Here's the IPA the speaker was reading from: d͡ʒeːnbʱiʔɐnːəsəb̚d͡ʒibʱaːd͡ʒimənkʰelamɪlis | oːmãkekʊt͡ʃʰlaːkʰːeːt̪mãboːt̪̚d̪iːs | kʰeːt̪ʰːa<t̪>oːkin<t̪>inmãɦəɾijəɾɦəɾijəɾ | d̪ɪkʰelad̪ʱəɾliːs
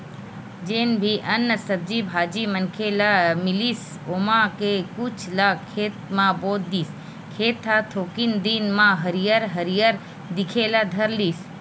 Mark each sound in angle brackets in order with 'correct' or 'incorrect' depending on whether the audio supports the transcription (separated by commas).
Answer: incorrect, incorrect